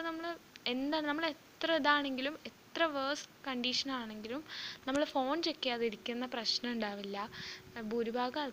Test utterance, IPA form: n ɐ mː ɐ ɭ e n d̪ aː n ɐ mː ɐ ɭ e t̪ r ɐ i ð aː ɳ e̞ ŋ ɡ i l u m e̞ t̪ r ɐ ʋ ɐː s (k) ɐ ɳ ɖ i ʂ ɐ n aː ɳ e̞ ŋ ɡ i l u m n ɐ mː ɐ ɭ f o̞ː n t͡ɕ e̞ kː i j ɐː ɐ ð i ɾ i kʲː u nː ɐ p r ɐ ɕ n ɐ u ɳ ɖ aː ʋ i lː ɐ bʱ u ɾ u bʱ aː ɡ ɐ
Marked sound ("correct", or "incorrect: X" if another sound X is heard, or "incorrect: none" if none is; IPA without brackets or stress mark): correct